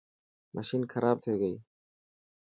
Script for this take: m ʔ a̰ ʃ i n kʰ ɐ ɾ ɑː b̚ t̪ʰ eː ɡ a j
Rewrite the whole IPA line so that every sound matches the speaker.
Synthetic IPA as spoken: m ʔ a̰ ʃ i n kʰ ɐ ɾ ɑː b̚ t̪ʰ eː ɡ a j